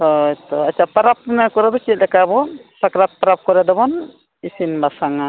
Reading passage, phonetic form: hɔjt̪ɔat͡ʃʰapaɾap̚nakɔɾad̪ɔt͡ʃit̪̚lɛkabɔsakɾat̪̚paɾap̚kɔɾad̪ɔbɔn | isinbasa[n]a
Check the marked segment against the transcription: incorrect: ŋ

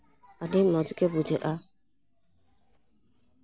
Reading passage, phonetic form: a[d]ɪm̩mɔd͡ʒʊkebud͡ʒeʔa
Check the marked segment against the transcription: correct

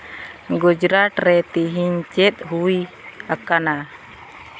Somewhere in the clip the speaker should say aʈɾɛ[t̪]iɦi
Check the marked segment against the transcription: correct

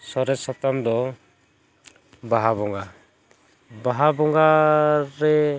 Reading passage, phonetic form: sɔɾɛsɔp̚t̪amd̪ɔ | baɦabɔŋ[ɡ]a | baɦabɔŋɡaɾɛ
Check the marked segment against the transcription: correct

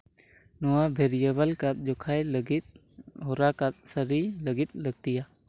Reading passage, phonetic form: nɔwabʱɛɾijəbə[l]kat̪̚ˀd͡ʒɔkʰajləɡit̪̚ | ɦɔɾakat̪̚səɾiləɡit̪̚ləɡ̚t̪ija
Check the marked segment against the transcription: correct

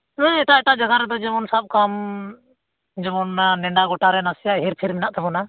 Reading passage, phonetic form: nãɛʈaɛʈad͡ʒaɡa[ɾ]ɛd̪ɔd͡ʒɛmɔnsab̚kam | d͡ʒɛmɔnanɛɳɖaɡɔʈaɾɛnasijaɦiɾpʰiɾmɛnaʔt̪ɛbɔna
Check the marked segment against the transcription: correct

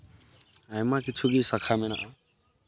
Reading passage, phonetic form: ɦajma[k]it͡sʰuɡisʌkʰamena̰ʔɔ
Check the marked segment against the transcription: correct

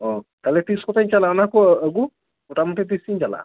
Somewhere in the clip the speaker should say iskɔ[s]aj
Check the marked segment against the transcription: incorrect: t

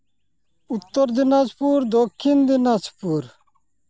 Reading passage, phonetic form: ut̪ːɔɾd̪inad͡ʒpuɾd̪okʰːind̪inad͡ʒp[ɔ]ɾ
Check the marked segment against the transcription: incorrect: u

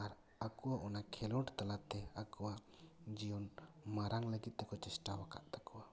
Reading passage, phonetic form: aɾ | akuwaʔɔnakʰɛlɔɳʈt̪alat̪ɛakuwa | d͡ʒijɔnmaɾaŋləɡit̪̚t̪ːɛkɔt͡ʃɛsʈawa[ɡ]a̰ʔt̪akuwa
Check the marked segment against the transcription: incorrect: k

